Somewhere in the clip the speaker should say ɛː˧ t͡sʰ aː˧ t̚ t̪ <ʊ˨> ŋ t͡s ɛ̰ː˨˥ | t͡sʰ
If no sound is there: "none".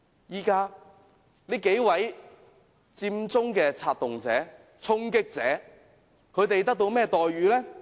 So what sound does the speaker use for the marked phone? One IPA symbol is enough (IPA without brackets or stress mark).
ʊ˨